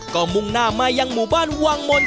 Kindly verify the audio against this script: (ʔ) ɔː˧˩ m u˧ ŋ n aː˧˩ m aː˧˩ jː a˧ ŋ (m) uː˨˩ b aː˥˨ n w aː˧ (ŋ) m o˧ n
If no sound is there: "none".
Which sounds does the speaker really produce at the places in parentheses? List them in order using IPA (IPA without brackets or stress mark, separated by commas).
k, m, ŋ